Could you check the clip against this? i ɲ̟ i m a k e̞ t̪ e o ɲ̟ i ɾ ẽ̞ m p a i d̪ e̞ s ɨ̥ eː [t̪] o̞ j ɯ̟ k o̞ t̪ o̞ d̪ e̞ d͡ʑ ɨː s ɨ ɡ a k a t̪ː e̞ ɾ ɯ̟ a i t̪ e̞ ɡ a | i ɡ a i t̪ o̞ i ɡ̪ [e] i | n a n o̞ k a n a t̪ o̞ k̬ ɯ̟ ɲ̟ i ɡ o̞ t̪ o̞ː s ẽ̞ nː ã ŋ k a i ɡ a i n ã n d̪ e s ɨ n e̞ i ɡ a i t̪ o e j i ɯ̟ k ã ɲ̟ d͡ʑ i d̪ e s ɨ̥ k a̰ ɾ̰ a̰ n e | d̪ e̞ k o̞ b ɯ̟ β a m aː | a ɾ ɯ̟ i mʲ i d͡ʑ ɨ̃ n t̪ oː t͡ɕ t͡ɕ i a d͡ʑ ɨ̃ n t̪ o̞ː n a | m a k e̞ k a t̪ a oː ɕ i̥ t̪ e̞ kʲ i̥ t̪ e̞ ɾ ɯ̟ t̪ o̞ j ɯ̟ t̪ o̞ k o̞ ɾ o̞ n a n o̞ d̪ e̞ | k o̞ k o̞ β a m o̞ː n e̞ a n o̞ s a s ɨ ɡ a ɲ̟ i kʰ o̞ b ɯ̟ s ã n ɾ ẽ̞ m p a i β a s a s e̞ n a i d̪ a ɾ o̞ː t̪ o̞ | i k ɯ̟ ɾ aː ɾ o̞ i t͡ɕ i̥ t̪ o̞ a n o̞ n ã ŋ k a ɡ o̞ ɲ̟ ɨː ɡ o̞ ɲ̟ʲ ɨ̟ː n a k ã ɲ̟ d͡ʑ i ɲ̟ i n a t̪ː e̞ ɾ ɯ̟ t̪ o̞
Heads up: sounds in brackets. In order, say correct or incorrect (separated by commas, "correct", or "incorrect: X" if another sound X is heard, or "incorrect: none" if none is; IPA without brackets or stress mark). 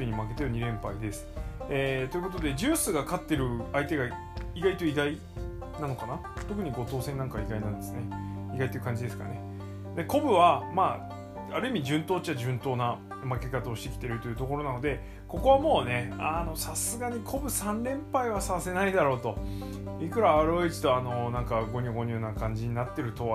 correct, incorrect: a